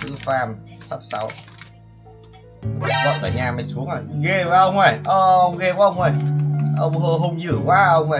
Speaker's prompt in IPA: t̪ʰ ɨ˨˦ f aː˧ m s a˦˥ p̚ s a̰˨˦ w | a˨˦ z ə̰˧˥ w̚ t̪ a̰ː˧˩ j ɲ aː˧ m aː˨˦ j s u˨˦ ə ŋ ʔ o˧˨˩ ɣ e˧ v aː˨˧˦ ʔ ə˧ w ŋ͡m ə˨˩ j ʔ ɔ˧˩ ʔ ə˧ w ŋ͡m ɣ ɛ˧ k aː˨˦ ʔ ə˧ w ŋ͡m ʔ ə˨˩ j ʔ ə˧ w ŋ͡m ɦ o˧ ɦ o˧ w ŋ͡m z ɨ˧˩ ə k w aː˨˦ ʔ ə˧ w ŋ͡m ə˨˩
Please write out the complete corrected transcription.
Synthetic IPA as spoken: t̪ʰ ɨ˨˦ f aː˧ m s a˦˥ p̚ s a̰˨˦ w | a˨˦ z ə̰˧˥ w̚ t̪ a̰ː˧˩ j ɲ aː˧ m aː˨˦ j s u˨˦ ə ŋ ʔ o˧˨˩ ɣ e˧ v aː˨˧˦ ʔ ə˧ w ŋ͡m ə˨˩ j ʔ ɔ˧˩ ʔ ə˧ w ŋ͡m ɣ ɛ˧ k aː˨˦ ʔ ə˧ w ŋ͡m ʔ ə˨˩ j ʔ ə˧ w ŋ͡m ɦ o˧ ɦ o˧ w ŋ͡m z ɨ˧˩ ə k w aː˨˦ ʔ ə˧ w ŋ͡m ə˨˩

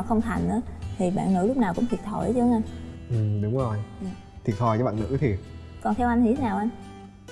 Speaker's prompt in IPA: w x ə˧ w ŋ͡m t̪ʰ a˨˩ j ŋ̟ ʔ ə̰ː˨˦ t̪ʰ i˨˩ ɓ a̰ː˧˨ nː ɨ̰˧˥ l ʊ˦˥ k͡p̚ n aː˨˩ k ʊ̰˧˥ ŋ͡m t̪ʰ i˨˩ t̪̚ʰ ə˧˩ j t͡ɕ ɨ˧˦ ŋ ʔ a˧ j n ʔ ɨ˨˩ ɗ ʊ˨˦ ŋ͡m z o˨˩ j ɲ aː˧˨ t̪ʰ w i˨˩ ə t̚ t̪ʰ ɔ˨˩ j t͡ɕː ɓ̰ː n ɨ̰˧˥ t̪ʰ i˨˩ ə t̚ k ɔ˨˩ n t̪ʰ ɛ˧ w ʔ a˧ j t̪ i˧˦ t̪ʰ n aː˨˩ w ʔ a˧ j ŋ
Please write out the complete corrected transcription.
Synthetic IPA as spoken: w x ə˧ w ŋ͡m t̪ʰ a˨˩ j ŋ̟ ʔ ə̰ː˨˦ t̪ʰ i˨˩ ɓ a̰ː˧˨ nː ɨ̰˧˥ l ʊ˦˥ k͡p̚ n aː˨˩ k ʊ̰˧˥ ŋ͡m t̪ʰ i˨˩ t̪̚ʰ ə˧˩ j t͡ɕ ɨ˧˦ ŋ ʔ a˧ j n ʔ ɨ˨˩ ɗ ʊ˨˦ ŋ͡m z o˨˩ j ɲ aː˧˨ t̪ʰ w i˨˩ ə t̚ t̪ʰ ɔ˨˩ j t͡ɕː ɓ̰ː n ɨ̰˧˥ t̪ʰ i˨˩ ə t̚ k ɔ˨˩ n t̪ʰ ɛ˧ w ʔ a˧ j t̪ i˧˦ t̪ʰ n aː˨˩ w ʔ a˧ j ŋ

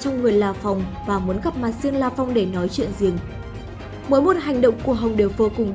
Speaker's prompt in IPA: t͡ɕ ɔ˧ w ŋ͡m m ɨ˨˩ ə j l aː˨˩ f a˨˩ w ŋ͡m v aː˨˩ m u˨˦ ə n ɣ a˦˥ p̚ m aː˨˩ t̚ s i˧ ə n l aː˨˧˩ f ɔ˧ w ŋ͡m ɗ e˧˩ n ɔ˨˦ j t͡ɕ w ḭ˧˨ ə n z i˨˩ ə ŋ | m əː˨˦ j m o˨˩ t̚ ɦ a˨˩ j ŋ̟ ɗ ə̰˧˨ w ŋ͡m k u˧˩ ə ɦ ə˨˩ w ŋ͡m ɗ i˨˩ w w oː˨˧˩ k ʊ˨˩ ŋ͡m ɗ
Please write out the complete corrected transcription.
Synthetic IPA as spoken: t͡ɕ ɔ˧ w ŋ͡m ŋ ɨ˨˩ ə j l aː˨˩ f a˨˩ w ŋ͡m v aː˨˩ m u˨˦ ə n ɣ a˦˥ p̚ m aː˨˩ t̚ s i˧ ə n l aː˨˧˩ f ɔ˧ w ŋ͡m ɗ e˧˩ n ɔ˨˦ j t͡ɕ w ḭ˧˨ ə n z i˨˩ ə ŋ | m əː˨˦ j m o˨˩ t̚ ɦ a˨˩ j ŋ̟ ɗ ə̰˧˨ w ŋ͡m k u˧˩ ə ɦ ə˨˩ w ŋ͡m ɗ e˨˩ w v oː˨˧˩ k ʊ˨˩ ŋ͡m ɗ

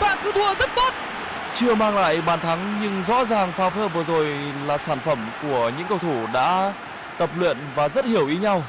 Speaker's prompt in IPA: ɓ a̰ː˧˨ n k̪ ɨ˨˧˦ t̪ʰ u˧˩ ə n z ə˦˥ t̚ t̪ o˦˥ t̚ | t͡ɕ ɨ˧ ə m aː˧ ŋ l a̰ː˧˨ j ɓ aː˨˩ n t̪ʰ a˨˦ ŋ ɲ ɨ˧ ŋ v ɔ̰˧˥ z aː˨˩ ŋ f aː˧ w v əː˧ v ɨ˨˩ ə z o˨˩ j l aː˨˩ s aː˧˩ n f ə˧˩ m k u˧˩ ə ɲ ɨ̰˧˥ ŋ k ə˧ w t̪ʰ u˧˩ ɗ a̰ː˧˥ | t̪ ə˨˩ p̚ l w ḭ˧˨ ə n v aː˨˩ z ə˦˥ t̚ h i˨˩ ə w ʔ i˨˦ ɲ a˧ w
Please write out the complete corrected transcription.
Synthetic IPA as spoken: ɓ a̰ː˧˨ n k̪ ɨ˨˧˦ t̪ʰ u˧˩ ə z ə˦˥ t̚ t̪ o˦˥ t̚ | t͡ɕ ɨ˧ ə m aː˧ ŋ l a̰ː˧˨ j ɓ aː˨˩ n t̪ʰ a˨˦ ŋ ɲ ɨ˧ ŋ z ɔ̰˧˥ z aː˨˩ ŋ f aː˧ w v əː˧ v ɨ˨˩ ə z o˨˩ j l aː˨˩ s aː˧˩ n f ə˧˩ m k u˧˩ ə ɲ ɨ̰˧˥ ŋ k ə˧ w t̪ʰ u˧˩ ɗ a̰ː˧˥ | t̪ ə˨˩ p̚ l w ḭ˧˨ ə n v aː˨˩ z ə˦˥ t̚ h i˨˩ ə w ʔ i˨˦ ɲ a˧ w

